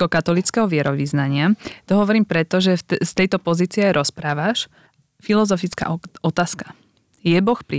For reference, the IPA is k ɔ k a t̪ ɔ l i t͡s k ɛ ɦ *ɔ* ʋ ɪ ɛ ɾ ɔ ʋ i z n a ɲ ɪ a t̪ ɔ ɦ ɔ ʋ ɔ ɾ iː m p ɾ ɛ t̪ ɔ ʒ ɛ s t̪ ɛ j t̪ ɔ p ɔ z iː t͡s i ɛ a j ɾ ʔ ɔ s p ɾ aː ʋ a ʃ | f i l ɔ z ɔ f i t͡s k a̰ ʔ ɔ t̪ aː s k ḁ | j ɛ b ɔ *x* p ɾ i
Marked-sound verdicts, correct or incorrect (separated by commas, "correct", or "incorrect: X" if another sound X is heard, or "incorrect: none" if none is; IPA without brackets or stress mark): correct, correct